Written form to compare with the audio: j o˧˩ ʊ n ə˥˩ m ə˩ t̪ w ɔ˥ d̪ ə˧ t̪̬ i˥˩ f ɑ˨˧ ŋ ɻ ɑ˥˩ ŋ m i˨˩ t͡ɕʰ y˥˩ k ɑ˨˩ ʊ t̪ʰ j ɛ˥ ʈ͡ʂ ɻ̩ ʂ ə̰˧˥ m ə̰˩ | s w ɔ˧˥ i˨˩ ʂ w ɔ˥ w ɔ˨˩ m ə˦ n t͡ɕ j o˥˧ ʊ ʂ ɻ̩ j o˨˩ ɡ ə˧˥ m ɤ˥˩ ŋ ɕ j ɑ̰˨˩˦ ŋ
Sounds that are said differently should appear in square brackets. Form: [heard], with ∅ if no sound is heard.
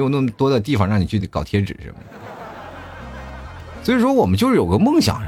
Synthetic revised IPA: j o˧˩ ʊ n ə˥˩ m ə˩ t̪ w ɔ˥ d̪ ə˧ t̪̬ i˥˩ f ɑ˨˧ ŋ ɻ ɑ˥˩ ŋ [n] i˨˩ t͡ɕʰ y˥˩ k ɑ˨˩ ʊ t̪ʰ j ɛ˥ ʈ͡ʂ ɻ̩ ʂ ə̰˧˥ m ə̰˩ | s w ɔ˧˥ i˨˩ ʂ w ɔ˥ w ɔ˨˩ m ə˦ n t͡ɕ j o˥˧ ʊ ʂ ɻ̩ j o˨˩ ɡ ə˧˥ m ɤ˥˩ ŋ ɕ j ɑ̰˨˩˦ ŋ